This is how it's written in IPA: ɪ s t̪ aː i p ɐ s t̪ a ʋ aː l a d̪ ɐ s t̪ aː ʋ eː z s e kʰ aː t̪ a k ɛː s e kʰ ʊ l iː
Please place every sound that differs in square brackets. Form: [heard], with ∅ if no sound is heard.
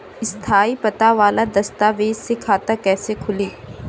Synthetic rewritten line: ɪ s [t̪ʰ] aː i p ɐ [∅] t̪ a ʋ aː l a d̪ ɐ s t̪ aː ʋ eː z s e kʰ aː t̪ a k ɛː s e kʰ ʊ l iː